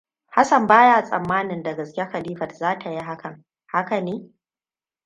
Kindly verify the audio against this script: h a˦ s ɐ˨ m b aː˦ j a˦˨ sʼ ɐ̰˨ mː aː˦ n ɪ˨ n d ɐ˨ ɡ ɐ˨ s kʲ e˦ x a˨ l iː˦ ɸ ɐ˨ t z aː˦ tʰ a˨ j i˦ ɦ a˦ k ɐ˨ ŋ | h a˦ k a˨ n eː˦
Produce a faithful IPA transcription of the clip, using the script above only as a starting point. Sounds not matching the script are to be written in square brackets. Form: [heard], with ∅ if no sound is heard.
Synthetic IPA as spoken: h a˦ s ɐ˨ m b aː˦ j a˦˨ sʼ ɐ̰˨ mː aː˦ n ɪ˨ n d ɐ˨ ɡ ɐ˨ s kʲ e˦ x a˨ l iː˦ ɸ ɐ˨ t z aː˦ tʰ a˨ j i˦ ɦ a˦ k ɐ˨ ŋ | h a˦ k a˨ n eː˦

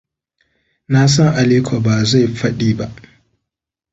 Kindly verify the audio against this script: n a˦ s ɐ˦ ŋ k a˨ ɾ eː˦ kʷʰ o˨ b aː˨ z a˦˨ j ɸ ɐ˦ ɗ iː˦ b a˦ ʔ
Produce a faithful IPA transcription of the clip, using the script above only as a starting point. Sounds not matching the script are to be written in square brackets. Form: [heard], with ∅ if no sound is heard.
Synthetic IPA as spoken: n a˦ s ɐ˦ ŋ [ʔ] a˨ [l] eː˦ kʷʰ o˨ b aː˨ z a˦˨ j ɸ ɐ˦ ɗ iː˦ b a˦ ʔ

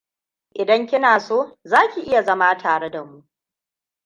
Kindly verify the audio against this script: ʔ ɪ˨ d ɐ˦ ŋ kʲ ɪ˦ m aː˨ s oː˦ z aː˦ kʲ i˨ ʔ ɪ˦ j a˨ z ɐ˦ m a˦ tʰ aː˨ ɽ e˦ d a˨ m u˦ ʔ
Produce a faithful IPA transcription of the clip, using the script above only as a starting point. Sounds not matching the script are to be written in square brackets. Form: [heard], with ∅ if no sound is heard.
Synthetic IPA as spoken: ʔ ɪ˨ d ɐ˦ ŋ kʲ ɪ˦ [n] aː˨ s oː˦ z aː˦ kʲ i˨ ʔ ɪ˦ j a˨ z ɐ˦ m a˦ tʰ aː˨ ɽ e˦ d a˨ m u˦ ʔ

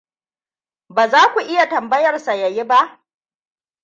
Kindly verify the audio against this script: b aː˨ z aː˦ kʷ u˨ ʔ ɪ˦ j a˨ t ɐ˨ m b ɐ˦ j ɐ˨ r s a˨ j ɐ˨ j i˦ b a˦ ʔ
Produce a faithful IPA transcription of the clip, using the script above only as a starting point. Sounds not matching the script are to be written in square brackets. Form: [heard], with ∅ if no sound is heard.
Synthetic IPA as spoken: b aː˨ z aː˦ kʷ u˨ ʔ ɪ˦ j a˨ t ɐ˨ m b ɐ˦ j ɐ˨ r s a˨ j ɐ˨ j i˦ b a˦ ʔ

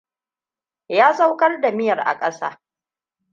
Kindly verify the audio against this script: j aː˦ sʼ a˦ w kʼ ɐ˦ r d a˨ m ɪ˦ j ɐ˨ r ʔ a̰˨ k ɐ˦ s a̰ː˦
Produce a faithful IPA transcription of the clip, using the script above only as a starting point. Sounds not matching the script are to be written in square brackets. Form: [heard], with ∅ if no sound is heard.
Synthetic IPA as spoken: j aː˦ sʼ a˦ w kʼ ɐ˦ r d a˨ m ɪ˦ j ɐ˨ r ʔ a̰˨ [kʼ] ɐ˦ s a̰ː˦

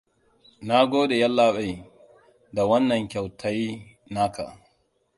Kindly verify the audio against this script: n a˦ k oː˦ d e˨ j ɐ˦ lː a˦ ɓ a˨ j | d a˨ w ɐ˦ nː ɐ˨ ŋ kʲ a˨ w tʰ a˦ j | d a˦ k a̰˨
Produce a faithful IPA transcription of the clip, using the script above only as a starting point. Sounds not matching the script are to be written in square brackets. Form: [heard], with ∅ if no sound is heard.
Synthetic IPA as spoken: n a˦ [ɡ] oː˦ d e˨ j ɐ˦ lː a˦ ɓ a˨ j | d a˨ w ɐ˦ nː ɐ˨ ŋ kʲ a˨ w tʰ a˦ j | [n] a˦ k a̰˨

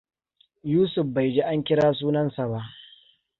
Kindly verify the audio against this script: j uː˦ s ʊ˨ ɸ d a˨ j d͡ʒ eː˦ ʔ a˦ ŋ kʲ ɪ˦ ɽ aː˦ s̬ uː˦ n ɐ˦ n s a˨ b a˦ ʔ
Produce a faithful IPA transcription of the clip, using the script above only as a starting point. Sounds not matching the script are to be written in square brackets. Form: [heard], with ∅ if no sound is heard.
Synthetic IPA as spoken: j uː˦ s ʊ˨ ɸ [b] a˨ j d͡ʒ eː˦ ʔ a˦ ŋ kʲ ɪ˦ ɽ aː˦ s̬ uː˦ n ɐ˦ n s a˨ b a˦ ʔ

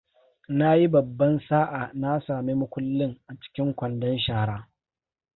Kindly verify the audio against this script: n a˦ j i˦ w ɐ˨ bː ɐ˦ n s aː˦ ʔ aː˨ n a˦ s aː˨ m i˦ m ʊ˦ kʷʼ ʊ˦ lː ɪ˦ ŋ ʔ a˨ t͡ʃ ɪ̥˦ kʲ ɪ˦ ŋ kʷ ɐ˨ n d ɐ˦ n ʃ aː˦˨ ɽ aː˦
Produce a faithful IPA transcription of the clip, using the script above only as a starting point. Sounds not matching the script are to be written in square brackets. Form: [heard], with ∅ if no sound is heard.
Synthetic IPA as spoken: n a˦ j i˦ [b] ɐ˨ bː ɐ˦ n s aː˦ ʔ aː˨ n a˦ s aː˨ m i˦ m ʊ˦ [kʷ] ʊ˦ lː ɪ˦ ŋ ʔ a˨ t͡ʃ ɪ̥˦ kʲ ɪ˦ ŋ kʷ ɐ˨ n d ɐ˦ n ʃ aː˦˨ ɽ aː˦

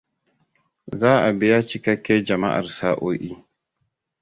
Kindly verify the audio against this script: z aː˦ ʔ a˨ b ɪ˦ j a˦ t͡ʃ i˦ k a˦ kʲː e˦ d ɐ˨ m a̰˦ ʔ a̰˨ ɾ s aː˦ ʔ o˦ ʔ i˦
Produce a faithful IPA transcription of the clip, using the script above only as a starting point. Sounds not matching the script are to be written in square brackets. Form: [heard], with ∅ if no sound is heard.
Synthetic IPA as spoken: z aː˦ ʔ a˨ b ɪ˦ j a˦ t͡ʃ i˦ k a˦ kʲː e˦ [d͡ʒ] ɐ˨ m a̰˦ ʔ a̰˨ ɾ s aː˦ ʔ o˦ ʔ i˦

